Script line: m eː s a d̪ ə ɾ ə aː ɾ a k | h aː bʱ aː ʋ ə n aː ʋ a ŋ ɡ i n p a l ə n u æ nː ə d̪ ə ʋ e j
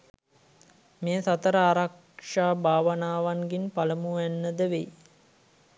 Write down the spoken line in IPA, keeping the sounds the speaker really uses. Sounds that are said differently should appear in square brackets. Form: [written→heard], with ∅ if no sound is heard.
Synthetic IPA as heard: m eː s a [d̪→t̪] ə ɾ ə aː ɾ a k | [h→ʂ] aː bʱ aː ʋ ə n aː ʋ a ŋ ɡ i n p a l ə [n→m] u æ nː ə d̪ ə ʋ e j